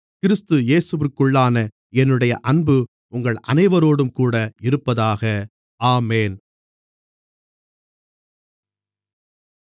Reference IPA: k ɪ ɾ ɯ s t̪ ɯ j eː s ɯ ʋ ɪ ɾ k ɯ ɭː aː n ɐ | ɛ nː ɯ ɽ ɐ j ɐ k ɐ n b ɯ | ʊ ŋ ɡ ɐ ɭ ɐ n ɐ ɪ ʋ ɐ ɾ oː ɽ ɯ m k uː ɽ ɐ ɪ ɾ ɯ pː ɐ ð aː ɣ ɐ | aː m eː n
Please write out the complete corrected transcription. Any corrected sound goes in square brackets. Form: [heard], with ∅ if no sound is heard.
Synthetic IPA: k ɪ ɾ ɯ s t̪ ɯ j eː s ɯ ʋ ɪ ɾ k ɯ ɭː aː n ɐ | ɛ nː ɯ ɽ ɐ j ɐ [ʔ] ɐ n b ɯ | ʊ ŋ ɡ ɐ ɭ ɐ n ɐ ɪ ʋ ɐ ɾ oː ɽ ɯ m k uː ɽ ɐ ɪ ɾ ɯ pː ɐ ð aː ɣ ɐ | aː m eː n